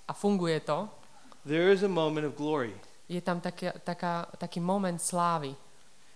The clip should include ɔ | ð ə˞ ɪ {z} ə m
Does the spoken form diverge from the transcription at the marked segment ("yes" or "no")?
no